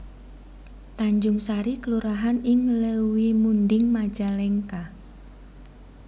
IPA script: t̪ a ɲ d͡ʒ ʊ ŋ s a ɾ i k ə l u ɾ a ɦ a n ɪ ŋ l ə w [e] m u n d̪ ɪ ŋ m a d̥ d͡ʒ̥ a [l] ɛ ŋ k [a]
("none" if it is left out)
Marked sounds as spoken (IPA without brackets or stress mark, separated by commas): i, l, a